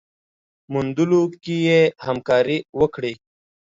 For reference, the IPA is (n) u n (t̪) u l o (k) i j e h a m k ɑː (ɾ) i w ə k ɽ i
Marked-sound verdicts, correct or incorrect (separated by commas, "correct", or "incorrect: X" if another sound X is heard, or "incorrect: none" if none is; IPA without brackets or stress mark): incorrect: m, incorrect: d̪, correct, correct